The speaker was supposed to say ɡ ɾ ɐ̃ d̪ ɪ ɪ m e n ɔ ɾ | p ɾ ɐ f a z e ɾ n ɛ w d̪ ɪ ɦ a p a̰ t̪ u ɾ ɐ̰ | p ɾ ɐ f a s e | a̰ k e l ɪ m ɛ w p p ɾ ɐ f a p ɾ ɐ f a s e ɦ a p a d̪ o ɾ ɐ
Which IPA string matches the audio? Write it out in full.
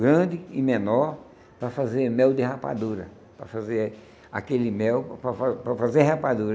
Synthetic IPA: ɡ ɾ ɐ̃ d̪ ɪ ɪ m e n ɔ ɾ | p ɾ ɐ f a z e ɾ m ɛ w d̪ ɪ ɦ a p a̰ d̪ u ɾ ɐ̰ | p ɾ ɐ f a z e | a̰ k e l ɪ m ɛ w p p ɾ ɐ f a p ɾ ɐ f a z e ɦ a p a d̪ u ɾ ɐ